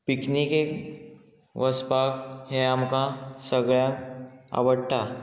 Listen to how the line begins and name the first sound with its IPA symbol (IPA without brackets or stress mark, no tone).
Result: p